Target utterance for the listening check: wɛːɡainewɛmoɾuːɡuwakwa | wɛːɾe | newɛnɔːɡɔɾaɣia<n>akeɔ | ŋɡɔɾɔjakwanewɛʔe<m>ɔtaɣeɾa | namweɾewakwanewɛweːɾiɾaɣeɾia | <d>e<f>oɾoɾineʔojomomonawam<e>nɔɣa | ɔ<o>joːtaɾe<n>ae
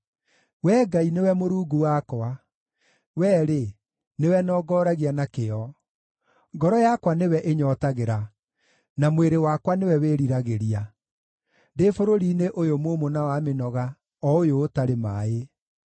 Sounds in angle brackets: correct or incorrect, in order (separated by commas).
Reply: correct, incorrect, correct, correct, correct, correct, incorrect